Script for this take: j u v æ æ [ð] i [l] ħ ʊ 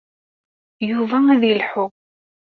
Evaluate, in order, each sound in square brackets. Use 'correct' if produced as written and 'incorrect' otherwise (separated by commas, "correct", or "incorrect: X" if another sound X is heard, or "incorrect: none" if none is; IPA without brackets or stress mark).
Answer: correct, correct